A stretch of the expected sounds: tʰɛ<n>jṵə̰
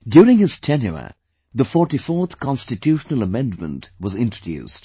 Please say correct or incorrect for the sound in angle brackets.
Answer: correct